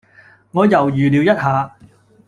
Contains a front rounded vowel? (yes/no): yes